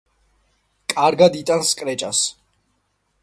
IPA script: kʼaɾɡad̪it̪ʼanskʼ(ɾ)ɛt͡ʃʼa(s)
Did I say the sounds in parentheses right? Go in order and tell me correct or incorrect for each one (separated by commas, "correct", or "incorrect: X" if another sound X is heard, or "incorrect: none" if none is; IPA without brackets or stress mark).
correct, correct